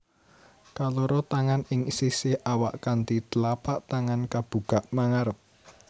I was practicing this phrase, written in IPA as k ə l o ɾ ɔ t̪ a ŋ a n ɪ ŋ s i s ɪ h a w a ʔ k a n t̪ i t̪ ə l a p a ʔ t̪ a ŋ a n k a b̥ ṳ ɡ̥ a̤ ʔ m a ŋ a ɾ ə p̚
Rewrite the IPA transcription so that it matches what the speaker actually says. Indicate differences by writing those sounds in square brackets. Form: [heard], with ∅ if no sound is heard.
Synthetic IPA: k [a] l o ɾ ɔ t̪ a ŋ a n ɪ ŋ s i s ɪ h a w a ʔ k a n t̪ i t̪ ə l a p a ʔ t̪ a ŋ a n k a b̥ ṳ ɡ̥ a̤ ʔ m a ŋ a ɾ ə p̚